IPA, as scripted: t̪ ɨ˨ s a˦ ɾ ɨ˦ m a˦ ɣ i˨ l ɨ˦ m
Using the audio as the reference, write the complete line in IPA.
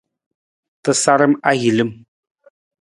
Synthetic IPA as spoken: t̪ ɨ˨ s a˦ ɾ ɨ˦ m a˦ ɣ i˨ l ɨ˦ m